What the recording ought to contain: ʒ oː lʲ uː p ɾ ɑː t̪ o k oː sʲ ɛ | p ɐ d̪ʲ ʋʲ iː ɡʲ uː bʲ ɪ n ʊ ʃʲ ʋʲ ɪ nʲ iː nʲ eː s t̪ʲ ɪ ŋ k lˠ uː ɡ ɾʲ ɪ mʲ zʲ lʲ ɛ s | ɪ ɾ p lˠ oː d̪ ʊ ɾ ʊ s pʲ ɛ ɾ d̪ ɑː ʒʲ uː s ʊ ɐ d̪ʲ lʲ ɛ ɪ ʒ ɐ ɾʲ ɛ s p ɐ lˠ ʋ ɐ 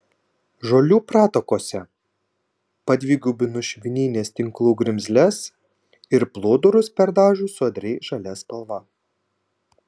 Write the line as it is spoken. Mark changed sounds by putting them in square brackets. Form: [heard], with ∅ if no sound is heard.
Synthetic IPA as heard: ʒ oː lʲ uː p ɾ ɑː t̪ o k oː sʲ ɛ | p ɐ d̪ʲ ʋʲ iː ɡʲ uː bʲ ɪ n ʊ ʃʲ ʋʲ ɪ nʲ iː nʲ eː s t̪ʲ ɪ ŋ k lˠ uː ɡ ɾʲ ɪ mʲ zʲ lʲ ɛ s | ɪ ɾ p lˠ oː d̪ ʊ ɾ ʊ s pʲ ɛ ɾ d̪ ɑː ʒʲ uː s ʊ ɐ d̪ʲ [ɾʲ] ɛ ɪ ʒ ɐ [lʲ] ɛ s p ɐ lˠ ʋ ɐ